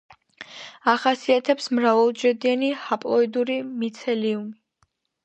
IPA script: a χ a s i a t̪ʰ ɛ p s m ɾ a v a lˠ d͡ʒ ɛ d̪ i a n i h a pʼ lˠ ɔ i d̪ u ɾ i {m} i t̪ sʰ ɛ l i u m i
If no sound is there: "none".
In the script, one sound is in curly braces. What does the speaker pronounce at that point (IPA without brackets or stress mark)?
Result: m